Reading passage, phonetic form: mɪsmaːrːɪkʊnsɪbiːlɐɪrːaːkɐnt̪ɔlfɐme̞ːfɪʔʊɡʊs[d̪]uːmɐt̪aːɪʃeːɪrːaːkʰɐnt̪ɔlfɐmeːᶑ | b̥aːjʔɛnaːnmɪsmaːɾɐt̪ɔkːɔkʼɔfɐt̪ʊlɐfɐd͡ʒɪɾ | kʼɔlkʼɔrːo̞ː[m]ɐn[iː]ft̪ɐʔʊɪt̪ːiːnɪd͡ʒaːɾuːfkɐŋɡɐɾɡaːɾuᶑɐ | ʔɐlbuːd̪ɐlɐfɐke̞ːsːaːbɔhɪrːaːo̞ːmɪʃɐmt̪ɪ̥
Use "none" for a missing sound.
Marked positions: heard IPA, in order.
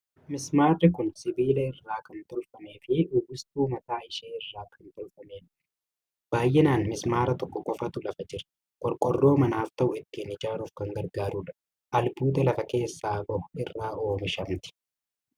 t̪, m, aː

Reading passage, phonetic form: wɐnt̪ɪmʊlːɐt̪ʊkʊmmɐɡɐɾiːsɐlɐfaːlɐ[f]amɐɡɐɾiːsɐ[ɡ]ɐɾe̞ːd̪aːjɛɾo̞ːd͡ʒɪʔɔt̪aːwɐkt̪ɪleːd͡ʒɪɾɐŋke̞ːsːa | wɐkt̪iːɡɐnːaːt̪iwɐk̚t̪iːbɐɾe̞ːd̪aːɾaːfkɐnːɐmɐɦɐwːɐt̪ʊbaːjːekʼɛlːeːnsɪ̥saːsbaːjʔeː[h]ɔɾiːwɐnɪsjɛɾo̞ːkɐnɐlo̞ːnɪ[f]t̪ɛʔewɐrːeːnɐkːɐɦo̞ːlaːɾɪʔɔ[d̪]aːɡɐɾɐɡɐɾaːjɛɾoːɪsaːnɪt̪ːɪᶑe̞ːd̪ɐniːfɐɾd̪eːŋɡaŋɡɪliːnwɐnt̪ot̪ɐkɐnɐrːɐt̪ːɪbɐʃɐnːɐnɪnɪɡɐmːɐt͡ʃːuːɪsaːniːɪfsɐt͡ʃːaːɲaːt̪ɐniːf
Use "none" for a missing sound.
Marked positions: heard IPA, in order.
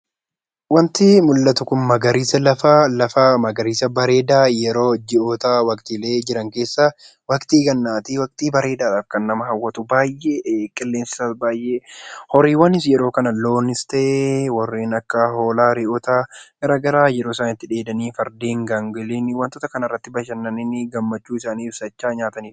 f, b, h, s, t̪

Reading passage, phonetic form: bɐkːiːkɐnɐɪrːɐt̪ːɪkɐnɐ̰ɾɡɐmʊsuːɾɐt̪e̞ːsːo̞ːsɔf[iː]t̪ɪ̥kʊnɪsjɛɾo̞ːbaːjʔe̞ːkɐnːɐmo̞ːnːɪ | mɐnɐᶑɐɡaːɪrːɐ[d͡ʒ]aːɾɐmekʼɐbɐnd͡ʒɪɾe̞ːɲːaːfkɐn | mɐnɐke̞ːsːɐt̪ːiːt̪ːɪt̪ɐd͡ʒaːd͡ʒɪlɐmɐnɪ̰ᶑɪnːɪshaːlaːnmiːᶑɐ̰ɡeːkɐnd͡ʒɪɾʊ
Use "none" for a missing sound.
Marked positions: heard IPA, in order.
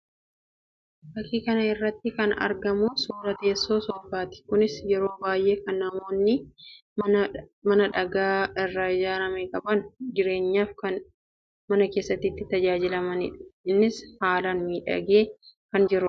aː, d͡ʒ

